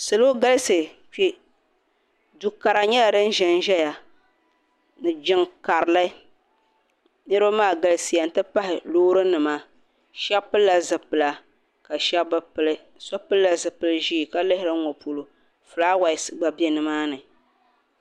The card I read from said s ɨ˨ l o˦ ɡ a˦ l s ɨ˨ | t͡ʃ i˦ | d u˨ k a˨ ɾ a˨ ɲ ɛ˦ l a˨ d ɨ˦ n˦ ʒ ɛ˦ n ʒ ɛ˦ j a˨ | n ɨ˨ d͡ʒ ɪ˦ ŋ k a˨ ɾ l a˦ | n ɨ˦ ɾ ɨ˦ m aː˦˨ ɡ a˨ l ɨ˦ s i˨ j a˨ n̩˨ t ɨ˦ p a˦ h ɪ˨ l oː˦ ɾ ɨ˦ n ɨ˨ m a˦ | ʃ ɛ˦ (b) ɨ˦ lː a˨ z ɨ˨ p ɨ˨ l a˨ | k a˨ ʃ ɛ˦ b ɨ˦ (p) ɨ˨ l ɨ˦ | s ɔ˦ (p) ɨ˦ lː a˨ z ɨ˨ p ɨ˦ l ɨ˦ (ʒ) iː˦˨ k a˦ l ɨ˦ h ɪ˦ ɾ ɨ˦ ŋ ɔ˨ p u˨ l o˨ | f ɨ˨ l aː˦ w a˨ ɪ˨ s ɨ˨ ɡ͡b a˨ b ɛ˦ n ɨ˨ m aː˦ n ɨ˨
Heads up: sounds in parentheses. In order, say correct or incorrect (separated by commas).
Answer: incorrect, correct, correct, correct